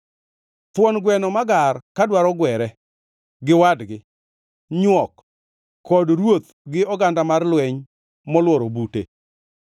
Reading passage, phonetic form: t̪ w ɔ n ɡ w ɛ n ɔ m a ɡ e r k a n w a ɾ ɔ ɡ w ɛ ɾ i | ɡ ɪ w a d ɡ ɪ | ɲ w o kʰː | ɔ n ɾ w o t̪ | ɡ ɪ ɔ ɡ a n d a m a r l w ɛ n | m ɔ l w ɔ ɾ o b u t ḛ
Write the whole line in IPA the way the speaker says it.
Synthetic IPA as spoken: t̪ w ɔ n ɡ w ɛ n ɔ m a ɡ a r k a d w a ɾ ɔ ɡ w ɛ ɾ ɛ | ɡ ɪ w a d ɡ ɪ | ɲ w ɔ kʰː | ɔ d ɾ w o t̪ | ɡ ɪ ɔ ɡ a n d a m a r l w ɛ ɲ | m ɔ l w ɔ ɾ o b u t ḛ